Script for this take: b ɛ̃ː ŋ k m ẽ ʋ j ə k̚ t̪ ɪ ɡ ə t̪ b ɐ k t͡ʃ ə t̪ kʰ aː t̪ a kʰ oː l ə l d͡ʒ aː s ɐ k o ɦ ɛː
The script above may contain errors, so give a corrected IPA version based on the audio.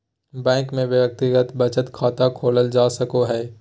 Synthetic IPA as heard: b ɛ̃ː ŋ k m ẽ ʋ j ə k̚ t̪ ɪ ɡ ə t̪ b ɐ t͡ʃ ə t̪ kʰ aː t̪ a kʰ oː l ə l d͡ʒ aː s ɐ k o ɦ ɛː